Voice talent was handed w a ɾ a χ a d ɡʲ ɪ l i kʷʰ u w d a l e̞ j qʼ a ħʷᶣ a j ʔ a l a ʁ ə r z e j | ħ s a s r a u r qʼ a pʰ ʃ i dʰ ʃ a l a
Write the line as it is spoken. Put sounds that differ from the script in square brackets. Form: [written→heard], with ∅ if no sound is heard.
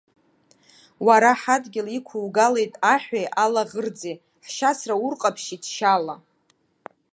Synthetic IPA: w a ɾ a [χ→ħ] a d ɡʲ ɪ l i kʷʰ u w [d→ɡ] a l e̞ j [qʼ→tʼ] a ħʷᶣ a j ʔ a l a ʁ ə r [z→d͡z] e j | ħ [s→ʃ] a s r a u r qʼ a pʰ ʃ i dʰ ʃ a l a